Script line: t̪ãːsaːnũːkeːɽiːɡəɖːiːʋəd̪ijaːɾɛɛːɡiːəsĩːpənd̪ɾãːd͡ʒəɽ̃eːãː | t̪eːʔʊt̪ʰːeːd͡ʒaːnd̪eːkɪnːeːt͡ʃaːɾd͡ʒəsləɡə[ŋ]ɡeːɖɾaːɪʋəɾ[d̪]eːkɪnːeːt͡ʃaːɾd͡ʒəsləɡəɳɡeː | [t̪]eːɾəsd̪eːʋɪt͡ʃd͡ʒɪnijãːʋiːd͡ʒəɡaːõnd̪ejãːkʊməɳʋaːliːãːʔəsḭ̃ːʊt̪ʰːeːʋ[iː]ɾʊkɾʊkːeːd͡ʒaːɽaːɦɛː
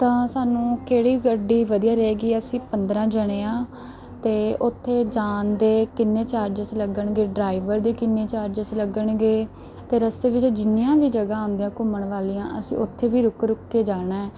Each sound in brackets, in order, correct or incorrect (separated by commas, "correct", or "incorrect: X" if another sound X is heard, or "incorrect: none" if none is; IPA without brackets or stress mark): incorrect: ɳ, correct, correct, correct